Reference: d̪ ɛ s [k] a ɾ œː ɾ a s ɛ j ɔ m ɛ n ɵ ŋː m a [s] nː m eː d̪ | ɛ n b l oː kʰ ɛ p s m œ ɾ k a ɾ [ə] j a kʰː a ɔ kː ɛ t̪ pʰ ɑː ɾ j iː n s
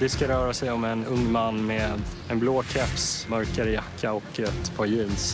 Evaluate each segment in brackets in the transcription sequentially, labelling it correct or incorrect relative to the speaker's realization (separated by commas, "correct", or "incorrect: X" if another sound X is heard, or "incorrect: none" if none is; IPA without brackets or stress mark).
correct, incorrect: none, correct